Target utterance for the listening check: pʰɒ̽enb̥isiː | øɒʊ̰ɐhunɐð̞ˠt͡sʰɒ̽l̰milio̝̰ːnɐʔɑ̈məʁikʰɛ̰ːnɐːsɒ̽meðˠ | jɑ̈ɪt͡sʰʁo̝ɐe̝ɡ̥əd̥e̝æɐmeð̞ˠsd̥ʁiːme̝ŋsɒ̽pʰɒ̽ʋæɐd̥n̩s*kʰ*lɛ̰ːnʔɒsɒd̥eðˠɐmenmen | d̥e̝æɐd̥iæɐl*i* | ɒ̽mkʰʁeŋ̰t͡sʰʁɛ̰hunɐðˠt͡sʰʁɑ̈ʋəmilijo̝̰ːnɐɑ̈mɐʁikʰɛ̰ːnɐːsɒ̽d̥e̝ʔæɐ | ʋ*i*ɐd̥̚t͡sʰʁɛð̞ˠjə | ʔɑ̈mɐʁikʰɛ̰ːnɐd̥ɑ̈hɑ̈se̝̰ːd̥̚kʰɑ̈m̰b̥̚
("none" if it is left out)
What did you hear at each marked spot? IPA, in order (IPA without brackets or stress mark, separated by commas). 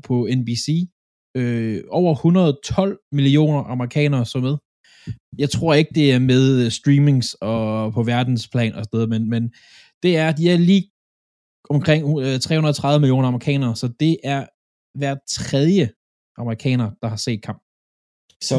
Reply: pʰ, iː, æ